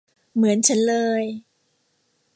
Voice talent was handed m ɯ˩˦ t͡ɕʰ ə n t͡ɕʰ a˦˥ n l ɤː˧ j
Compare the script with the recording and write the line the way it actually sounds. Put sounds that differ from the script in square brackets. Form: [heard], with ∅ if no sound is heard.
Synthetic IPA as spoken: m ɯ˩˦ [∅] ə n t͡ɕʰ a˦˥ n l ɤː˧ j